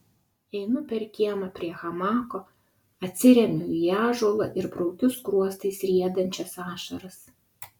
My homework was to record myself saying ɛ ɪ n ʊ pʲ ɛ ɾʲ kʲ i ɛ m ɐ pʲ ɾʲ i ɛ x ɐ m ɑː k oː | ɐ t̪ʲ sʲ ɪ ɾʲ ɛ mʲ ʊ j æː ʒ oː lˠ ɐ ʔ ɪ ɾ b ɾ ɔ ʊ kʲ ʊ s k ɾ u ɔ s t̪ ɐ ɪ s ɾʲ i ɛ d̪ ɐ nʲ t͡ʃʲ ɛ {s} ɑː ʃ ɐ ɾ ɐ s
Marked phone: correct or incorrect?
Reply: correct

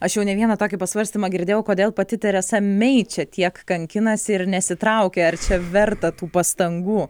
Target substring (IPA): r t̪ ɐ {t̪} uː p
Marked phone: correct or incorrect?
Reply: correct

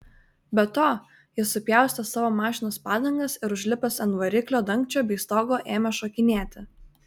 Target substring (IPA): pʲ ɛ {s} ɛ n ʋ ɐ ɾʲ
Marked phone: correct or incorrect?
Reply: correct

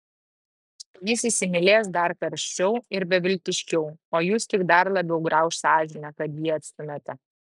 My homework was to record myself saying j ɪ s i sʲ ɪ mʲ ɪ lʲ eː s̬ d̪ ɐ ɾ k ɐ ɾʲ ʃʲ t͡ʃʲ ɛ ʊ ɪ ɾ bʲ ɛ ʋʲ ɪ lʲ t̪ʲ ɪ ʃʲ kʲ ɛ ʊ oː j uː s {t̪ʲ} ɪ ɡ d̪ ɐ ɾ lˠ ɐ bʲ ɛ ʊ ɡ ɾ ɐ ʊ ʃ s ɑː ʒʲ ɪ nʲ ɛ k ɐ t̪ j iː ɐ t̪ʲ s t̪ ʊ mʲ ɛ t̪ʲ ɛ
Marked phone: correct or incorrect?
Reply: correct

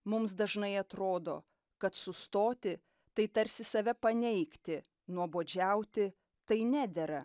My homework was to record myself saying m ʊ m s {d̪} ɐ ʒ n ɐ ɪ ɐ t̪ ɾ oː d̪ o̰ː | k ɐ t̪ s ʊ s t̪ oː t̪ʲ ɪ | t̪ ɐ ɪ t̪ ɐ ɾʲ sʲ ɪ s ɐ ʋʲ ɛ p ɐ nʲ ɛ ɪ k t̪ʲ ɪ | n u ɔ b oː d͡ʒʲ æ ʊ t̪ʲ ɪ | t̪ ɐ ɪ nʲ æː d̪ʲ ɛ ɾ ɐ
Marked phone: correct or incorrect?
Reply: correct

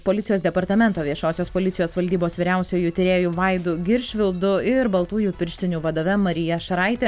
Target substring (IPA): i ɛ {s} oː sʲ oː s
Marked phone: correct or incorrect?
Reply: incorrect: ʃ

